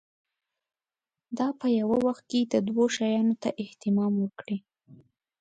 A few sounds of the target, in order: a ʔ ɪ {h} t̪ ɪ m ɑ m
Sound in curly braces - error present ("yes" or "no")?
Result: no